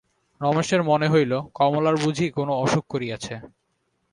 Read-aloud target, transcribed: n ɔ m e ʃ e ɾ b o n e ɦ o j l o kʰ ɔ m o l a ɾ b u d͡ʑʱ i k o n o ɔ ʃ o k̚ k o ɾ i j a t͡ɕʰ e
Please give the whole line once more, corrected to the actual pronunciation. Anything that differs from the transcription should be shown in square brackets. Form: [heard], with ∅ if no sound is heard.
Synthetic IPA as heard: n ɔ m e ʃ e ɾ [m] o n e ɦ o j l o [k] ɔ m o l a ɾ b u d͡ʑʱ i k o n o ɔ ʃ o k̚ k o ɾ i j a t͡ɕʰ e